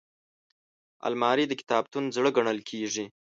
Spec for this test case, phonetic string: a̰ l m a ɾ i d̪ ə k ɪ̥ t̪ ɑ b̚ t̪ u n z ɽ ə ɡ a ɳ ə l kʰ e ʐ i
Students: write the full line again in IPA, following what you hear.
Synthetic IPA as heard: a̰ l m ɑ ɾ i d̪ ə k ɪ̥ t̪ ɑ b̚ t̪ u n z ɽ ə ɡ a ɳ ə l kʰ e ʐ i